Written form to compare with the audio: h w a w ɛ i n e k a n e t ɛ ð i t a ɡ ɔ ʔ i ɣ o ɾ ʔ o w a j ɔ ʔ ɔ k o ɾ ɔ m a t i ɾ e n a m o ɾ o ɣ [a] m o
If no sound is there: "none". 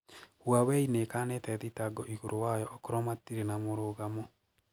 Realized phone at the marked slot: a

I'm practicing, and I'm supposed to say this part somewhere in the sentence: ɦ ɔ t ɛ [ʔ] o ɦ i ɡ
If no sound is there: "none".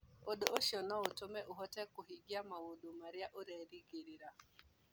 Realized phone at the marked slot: k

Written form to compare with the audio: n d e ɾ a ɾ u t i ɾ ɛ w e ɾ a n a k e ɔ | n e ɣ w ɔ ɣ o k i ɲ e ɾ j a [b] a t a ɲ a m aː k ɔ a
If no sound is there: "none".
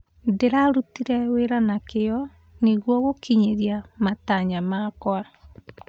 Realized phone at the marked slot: m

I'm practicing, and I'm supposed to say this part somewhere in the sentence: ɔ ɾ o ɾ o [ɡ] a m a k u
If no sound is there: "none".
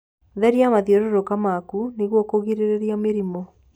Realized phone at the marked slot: k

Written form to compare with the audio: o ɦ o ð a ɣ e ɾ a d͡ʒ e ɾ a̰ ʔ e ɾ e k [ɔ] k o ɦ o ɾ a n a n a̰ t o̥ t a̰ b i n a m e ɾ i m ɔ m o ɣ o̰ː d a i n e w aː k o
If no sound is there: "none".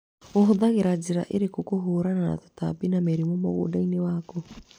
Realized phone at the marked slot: o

